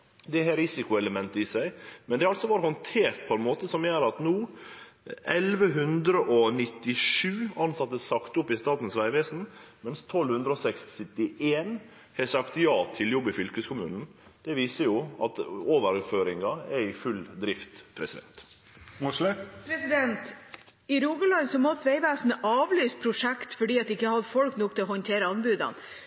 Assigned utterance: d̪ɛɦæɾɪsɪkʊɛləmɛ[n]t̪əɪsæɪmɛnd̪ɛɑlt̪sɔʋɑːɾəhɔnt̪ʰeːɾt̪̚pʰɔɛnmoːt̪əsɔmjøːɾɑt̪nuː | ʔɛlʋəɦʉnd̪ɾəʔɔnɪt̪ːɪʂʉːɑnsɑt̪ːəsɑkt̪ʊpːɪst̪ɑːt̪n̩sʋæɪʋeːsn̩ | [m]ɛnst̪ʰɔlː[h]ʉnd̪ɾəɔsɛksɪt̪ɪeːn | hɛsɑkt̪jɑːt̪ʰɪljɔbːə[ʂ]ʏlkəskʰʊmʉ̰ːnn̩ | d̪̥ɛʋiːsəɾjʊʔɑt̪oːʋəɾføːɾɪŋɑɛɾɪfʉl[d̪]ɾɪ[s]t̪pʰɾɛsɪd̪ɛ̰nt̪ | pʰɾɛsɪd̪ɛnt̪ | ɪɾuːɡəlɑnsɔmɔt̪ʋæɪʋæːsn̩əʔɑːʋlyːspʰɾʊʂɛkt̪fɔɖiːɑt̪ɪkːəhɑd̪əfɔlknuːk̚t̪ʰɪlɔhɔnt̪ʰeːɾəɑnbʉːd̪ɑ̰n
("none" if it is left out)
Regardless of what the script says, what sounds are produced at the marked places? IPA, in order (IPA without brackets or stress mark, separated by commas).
n, m, h, f, d̪, f